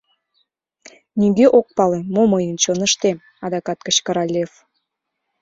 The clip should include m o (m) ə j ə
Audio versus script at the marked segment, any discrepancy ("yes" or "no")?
no